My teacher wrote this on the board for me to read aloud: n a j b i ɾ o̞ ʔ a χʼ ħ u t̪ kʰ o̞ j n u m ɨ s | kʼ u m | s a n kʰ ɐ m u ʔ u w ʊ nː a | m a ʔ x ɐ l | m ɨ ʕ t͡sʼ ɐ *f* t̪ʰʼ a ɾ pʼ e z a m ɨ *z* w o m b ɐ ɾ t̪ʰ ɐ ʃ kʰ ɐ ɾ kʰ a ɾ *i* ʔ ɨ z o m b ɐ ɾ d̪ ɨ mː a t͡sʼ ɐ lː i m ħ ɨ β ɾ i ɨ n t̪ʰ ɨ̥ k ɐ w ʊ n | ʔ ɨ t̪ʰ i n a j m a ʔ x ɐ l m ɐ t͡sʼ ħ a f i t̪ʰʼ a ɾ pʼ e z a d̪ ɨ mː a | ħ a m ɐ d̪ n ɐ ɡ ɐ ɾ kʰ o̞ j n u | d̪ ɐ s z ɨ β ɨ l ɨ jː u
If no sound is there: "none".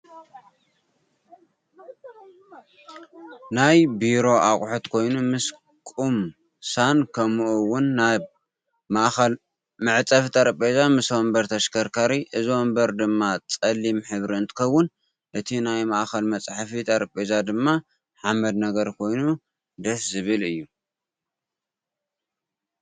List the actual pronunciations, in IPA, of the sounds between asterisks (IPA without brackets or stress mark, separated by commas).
f, s, i